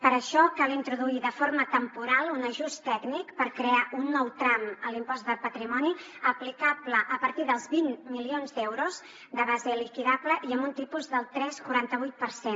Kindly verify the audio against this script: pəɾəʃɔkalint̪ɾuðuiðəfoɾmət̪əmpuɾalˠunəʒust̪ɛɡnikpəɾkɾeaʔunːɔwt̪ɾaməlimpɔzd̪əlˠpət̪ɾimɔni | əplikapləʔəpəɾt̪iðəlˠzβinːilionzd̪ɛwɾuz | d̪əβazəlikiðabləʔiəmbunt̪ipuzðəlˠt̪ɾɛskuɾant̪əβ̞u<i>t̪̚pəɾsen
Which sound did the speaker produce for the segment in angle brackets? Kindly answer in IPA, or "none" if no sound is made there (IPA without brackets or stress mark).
j